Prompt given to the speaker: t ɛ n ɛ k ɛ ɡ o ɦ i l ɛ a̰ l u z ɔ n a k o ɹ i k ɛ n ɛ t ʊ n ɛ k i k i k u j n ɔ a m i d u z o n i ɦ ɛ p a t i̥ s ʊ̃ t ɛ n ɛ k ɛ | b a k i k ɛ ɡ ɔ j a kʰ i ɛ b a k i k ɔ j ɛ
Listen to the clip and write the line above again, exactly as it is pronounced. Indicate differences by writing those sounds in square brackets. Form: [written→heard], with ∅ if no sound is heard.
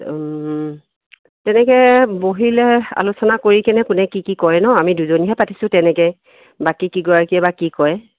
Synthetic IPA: t ɛ n ɛ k ɛ [ɡ→b] o ɦ i l ɛ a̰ l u [z→s] ɔ n a k o ɹ i k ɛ n ɛ [t→k] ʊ n ɛ k i k i k [u→ɔ] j n ɔ a m i d u z o n i ɦ ɛ p a t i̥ s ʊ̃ t ɛ n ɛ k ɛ | b a k i k [ɛ→i] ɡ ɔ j a [kʰ→k] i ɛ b a k i k ɔ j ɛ